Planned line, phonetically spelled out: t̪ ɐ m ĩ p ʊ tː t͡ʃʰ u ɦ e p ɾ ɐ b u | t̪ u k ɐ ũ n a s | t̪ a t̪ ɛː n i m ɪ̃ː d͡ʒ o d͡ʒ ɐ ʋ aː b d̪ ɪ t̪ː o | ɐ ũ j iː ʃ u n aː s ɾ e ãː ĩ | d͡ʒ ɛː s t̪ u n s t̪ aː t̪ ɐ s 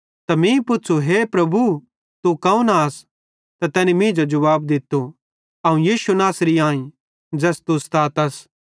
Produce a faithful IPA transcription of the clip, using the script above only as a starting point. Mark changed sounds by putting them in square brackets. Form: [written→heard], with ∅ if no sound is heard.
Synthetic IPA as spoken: t̪ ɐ m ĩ p ʊ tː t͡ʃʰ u ɦ e p ɾ ɐ b u | t̪ u k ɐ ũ n a s | t̪ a t̪ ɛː n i m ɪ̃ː d͡ʒ o d͡ʒ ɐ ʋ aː b d̪ ɪ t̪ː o | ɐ ũ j iː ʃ u n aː s ɾ [e→i] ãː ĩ | d͡ʒ ɛː s t̪ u [n→∅] s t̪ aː t̪ ɐ s